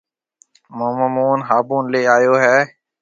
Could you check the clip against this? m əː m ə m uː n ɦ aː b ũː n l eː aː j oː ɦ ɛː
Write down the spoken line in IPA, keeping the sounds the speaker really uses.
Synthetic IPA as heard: m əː m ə m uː n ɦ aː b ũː n l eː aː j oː ɦ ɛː